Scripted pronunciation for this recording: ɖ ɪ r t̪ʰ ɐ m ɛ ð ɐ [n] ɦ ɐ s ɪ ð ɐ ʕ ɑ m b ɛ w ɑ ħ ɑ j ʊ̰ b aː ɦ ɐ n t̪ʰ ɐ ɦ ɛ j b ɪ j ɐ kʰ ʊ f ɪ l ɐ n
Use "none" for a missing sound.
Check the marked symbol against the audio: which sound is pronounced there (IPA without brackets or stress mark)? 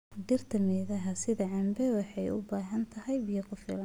none